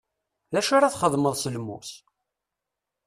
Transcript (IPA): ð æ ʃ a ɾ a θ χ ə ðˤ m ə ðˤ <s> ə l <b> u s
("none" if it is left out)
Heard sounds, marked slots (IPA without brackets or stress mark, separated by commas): s, m